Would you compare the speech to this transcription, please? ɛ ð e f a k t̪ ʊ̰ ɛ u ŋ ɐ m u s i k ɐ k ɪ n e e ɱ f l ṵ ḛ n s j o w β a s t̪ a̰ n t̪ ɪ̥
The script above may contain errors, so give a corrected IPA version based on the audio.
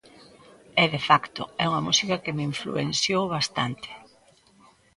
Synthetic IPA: ɛ ð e f a k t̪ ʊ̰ ɛ u ŋ ɐ m u s i k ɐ k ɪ m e i ɱ f l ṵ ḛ n s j o w β a s t̪ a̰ n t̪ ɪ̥